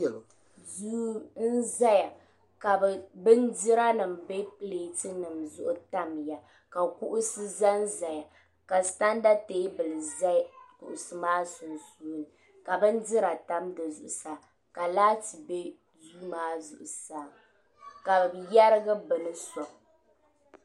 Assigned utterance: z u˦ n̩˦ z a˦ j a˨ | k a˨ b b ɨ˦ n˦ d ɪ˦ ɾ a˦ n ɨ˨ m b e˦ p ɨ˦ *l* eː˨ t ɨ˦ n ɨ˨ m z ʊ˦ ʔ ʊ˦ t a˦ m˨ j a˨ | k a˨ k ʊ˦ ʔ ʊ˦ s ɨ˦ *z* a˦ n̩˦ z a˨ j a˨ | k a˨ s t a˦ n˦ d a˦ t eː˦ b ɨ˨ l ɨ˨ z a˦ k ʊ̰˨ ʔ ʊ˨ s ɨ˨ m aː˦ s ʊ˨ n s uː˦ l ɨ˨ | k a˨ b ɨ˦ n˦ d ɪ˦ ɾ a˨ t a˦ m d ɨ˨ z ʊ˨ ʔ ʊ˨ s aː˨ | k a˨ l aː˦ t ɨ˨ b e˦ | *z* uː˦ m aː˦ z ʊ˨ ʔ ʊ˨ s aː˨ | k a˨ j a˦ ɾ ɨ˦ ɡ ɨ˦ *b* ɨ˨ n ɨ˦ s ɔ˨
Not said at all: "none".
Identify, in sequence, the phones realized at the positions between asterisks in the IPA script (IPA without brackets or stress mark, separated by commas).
l, z, z, b